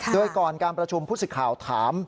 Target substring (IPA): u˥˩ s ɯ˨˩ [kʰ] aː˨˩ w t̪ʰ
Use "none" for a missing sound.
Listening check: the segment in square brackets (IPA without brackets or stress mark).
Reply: kʰ